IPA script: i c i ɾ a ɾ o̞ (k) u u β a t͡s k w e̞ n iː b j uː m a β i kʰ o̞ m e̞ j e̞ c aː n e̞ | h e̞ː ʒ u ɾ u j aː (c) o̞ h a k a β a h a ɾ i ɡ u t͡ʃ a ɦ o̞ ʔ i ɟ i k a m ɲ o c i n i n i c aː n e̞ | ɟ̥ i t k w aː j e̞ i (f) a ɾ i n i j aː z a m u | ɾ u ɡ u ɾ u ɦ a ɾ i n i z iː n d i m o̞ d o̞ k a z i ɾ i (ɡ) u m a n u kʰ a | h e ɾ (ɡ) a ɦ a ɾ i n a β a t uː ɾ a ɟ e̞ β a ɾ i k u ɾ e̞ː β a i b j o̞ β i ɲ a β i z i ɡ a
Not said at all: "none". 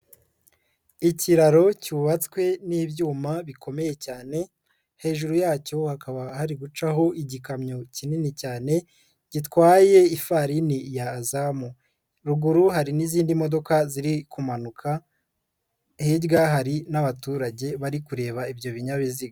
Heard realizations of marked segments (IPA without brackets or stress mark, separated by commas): c, c, f, k, ɡ